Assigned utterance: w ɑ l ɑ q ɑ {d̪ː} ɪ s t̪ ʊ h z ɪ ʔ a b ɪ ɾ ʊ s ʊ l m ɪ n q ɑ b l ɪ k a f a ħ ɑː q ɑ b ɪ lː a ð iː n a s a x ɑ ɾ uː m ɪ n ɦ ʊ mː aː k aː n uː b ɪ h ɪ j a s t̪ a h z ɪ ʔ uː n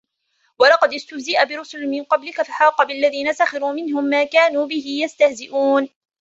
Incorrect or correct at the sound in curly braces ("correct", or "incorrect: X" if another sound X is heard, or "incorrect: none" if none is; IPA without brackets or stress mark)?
incorrect: d̪